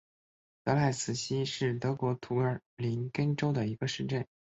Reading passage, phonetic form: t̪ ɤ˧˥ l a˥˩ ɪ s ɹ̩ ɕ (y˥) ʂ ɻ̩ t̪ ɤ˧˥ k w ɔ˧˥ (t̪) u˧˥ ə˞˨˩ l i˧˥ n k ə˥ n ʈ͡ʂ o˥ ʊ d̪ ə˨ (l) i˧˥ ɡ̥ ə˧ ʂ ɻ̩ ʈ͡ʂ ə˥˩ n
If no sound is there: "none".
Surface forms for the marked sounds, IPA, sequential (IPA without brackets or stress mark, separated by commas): i˥, t̪ʰ, none